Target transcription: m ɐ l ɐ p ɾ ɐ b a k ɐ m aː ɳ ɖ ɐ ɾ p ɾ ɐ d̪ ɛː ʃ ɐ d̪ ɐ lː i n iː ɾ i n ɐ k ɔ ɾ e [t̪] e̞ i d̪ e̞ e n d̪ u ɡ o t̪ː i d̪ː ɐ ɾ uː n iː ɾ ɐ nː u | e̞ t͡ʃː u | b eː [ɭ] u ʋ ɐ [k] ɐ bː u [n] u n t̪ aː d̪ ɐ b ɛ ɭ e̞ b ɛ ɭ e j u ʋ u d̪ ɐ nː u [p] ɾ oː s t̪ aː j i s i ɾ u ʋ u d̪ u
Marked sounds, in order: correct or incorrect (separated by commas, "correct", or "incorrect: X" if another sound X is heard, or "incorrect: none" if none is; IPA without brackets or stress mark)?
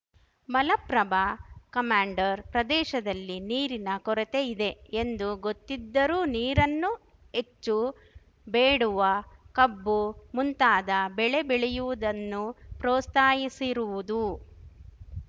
correct, incorrect: ɽ, correct, incorrect: m, correct